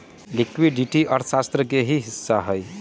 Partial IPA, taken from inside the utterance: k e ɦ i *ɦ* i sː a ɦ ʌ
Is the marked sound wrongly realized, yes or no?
no